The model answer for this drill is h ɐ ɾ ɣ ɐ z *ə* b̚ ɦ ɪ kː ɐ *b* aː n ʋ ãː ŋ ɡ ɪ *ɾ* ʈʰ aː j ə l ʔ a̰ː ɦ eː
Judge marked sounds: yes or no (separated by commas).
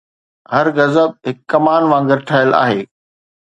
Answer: yes, no, yes